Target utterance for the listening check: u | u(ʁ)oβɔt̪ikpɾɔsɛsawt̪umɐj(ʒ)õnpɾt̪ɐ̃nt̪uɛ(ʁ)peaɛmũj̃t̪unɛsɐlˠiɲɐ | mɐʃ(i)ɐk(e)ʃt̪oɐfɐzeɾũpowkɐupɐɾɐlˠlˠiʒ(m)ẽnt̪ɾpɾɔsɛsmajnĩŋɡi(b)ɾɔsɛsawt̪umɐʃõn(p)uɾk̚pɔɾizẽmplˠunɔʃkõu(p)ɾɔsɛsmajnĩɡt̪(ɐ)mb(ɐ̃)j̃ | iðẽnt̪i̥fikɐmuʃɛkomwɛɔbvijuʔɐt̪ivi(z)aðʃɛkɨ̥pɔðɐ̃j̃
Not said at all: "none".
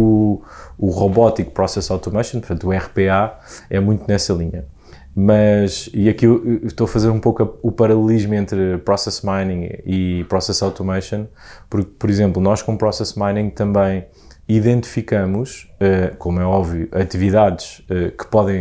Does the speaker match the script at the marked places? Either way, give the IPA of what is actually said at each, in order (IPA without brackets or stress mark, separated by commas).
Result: ʁ, ʃ, ʁ, i, i, m, p, p, p, ɐ̃, ɐ̃, ð